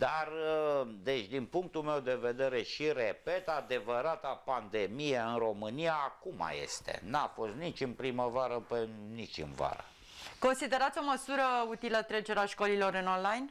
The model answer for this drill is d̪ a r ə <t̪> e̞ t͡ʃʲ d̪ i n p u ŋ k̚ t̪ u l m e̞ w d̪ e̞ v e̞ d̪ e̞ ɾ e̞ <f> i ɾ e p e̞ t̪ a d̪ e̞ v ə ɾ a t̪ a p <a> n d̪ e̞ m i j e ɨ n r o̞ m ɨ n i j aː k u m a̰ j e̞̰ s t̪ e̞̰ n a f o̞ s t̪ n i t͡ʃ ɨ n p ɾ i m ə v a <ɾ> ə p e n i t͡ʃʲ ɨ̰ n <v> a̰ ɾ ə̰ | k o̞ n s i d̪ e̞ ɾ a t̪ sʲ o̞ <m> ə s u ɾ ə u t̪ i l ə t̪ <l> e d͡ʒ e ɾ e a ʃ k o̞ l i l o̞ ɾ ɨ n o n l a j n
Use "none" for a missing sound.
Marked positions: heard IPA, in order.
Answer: d̪, ʃ, a, ɾ, v, m, ɾ

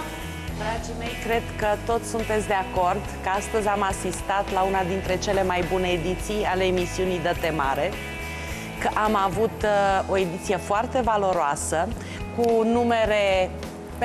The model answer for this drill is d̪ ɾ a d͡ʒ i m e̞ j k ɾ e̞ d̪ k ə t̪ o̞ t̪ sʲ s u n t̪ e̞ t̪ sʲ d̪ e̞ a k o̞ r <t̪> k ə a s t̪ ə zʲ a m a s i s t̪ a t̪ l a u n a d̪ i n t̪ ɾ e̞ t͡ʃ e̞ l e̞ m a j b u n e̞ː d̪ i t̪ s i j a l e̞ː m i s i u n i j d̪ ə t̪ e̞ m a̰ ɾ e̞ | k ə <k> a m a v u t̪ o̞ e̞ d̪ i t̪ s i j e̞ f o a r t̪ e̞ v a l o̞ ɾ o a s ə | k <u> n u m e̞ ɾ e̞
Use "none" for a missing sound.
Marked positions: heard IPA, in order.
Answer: d̪, ʔ, u

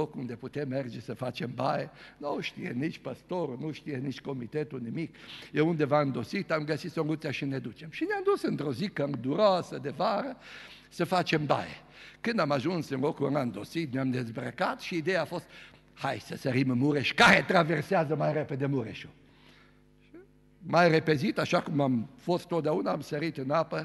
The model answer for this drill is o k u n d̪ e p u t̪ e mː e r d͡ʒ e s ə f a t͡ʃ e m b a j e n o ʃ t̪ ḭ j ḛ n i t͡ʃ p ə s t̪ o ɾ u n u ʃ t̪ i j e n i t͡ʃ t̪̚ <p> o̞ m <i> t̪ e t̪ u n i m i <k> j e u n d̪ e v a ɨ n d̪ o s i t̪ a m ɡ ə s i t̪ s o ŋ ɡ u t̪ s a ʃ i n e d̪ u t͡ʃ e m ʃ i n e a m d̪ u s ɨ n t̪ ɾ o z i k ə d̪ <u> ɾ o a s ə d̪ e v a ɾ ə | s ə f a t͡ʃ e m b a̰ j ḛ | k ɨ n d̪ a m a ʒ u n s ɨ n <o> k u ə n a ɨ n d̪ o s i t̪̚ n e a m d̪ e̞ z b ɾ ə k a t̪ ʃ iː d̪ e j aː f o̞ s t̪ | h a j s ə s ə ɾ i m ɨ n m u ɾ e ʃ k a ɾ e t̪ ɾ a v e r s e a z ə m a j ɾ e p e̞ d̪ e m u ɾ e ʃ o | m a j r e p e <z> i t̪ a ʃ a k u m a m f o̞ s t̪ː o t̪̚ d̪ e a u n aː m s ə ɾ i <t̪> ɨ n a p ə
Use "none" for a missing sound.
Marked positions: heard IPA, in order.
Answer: k, i, k, u, o, z, t̪

